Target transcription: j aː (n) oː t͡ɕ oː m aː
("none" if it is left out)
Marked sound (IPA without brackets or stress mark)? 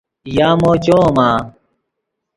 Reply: m